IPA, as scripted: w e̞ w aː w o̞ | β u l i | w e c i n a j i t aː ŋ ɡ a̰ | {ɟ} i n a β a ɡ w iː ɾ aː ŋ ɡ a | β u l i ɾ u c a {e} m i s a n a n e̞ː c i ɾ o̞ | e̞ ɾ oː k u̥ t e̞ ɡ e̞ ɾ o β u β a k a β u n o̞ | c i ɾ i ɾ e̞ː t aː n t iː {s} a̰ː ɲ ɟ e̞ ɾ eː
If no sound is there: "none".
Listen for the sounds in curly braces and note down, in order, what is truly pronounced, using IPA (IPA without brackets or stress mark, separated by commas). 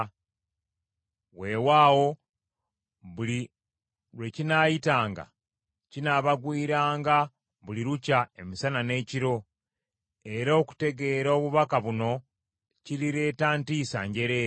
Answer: c, e, s